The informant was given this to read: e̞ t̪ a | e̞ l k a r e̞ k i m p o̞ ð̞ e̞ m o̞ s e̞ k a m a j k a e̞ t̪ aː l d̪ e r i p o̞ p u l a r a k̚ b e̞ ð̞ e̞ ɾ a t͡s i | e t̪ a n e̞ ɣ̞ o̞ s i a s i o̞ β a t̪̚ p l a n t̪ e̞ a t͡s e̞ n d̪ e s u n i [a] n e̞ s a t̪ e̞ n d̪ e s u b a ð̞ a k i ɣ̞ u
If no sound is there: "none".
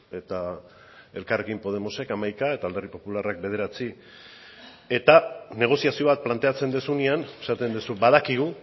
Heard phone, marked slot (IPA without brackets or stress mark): a